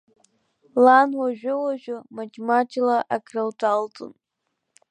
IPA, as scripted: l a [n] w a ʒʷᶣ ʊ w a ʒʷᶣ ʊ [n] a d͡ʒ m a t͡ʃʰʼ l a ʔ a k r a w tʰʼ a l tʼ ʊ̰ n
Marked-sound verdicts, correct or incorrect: correct, incorrect

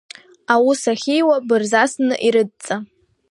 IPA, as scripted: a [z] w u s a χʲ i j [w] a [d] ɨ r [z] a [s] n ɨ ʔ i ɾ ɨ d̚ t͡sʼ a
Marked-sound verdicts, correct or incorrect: incorrect, correct, incorrect, correct, correct

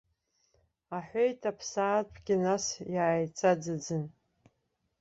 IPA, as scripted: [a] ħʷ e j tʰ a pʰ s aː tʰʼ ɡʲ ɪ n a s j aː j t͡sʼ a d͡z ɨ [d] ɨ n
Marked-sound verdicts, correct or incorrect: correct, incorrect

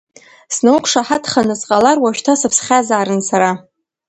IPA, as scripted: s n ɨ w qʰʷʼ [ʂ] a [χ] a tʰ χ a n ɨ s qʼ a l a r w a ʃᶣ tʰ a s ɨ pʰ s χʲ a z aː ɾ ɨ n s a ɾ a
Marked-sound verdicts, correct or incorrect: correct, incorrect

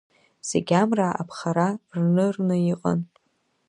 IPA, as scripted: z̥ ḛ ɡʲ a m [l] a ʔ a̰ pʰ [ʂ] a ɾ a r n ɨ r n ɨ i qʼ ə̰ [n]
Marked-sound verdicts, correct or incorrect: incorrect, incorrect, correct

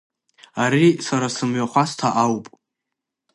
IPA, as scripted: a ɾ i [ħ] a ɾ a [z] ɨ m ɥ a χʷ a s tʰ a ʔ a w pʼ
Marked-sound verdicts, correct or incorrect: incorrect, incorrect

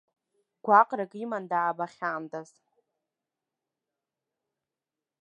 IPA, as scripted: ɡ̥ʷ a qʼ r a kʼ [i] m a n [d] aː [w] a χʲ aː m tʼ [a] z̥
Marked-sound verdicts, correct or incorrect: correct, correct, incorrect, correct

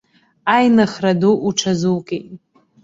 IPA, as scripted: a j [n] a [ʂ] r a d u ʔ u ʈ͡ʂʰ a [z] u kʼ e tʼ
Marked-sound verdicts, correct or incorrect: correct, incorrect, correct

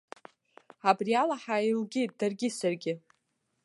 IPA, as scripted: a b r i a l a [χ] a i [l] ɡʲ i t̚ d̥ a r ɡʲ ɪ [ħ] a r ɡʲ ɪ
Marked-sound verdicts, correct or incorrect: incorrect, correct, incorrect

